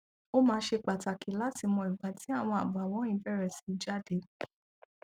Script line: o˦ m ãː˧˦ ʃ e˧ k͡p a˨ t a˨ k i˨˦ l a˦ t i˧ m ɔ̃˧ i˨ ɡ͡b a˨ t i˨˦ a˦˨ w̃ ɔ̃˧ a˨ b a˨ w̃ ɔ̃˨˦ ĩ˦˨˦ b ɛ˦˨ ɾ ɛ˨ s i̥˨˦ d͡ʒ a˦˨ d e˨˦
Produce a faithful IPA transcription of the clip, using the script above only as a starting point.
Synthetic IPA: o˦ m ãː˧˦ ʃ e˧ k͡p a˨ t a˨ k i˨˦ l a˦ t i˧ m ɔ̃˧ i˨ ɡ͡b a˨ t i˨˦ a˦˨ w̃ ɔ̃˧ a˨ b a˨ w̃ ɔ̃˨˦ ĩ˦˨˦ b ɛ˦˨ ɾ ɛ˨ s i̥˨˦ d͡ʒ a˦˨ d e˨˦